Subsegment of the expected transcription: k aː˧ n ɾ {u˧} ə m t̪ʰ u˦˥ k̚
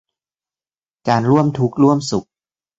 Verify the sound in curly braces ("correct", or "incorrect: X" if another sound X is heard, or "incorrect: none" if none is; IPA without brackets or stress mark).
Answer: incorrect: u˥˩